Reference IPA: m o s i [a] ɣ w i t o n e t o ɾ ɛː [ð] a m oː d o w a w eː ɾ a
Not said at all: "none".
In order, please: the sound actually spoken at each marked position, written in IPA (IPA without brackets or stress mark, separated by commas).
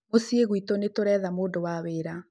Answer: e, ð